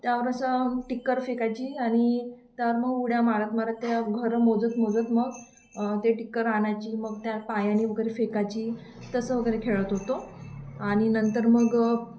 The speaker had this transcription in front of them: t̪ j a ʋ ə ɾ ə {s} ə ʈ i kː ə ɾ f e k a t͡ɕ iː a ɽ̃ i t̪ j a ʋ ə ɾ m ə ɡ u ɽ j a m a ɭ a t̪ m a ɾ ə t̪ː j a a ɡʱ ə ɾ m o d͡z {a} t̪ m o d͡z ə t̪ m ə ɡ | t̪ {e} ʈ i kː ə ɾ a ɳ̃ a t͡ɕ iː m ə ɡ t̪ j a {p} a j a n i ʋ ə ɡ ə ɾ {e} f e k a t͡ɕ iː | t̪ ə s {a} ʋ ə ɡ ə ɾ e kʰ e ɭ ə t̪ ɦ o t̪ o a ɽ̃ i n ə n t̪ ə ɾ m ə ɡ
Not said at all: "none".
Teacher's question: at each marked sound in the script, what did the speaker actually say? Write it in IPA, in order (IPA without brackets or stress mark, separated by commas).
s, ə, e, p, e, ə